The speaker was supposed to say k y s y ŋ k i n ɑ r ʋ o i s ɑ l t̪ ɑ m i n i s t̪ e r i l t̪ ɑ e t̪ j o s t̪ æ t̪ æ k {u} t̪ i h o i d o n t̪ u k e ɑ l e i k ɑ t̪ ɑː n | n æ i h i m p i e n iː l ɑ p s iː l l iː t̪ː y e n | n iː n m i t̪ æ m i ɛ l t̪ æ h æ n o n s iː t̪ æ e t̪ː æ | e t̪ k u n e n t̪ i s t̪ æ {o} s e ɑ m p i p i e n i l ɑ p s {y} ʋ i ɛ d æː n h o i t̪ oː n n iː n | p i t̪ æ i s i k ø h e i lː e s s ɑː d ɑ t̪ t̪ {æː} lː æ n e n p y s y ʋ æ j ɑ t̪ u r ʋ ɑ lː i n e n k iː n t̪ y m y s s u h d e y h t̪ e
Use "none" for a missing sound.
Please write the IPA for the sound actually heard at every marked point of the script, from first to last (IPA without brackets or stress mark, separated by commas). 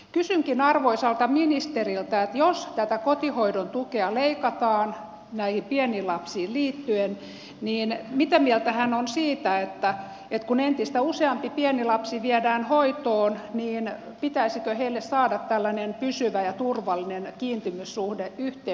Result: o, u, i, æ